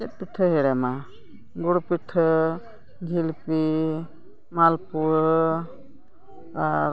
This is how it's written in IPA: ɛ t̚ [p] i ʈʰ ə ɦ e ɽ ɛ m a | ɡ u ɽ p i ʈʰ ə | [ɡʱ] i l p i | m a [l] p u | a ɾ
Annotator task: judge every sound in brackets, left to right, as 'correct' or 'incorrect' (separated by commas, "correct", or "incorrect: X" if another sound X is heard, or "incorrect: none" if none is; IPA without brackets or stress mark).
correct, correct, correct